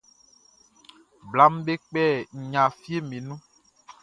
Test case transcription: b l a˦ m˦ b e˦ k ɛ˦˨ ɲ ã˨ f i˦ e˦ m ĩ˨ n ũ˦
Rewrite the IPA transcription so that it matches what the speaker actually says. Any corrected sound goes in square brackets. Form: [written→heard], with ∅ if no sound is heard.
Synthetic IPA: b l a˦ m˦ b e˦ [k→k͡p] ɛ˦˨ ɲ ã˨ f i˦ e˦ m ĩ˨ n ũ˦